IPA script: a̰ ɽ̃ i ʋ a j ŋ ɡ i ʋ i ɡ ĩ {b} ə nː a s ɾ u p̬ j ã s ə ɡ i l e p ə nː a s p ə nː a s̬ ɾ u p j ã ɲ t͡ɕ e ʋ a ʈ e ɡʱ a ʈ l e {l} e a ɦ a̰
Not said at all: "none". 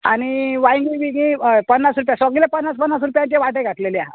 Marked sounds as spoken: p, l

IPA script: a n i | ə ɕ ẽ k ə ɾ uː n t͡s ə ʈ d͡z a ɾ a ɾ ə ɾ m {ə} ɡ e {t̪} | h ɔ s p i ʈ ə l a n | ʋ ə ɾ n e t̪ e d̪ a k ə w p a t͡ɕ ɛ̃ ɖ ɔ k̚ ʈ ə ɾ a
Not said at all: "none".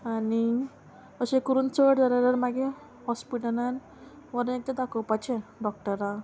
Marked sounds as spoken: a, none

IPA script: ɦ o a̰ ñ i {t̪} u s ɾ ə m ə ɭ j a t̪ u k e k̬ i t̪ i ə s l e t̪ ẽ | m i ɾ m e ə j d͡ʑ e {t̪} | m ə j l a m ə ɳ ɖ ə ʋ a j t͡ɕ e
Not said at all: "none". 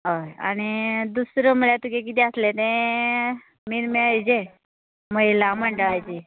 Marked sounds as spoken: d̪, none

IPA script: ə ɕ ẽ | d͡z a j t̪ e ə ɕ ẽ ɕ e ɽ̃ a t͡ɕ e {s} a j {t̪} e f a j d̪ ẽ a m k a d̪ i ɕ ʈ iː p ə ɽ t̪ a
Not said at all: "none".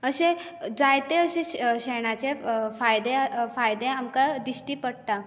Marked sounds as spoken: f, d̪

